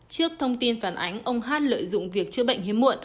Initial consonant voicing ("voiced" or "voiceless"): voiceless